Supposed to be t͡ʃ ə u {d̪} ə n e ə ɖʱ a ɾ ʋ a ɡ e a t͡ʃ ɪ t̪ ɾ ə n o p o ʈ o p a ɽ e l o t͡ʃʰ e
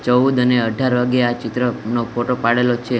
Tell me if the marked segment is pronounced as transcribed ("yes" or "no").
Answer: yes